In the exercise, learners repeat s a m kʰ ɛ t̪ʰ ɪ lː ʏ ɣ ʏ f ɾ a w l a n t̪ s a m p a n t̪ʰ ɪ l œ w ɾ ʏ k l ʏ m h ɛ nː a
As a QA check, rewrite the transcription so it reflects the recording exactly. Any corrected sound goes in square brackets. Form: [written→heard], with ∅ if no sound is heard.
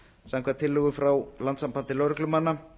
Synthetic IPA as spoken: s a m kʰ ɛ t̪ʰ ɪ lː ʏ ɣ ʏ f ɾ a w l a n t̪ s a m p a n [t̪ʰ→t̪] ɪ l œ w ɾ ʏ k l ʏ m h [ɛ→a] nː a